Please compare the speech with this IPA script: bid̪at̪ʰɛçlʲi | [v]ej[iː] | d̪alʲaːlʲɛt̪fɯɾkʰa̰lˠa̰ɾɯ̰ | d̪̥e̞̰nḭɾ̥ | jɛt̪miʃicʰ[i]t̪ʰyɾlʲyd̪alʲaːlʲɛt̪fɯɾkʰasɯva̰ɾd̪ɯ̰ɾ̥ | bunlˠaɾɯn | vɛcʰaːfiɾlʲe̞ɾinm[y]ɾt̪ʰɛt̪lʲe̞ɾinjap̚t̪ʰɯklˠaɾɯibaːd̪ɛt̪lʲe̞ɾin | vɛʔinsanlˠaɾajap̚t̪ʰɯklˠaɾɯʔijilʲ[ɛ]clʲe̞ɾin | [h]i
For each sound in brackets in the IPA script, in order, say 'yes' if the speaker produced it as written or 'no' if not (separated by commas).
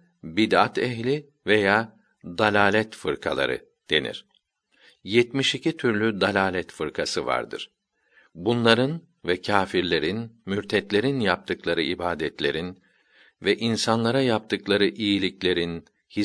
yes, no, yes, yes, no, yes